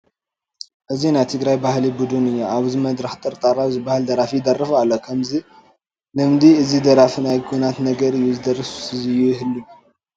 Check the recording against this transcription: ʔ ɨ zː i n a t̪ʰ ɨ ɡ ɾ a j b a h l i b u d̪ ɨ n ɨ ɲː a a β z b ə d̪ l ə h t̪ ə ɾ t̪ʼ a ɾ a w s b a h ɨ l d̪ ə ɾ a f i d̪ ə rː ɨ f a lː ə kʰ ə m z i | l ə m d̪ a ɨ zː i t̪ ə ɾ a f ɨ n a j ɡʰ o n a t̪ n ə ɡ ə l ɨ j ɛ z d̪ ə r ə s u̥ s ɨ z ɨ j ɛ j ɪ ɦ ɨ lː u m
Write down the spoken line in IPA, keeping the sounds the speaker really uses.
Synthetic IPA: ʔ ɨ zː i n a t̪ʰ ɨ ɡ ɾ a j b a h l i b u d̪ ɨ n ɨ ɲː a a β z m ə d̪ ɾ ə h t̪ʼ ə ɾ t̪ʼ a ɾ a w z b a h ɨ l d̪ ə ɾ a f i d̪ ə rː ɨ f a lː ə kʰ ə m z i | l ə m d̪ i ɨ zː i d̪ ə ɾ a f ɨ n a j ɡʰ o n a t̪ n ə ɡ ə ɾ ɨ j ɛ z d̪ ə r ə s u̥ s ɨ z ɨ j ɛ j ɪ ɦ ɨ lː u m